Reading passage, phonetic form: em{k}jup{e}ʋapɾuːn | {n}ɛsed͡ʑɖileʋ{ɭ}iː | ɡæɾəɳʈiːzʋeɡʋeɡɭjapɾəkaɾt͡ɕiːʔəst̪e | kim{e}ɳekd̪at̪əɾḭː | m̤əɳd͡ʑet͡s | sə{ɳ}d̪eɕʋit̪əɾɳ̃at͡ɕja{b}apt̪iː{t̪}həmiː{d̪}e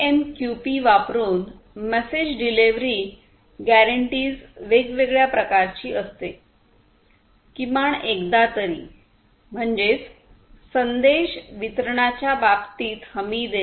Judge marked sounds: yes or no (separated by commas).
yes, no, no, no, no, no, yes, yes, yes